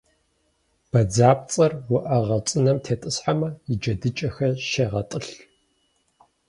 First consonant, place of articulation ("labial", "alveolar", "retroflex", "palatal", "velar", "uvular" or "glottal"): labial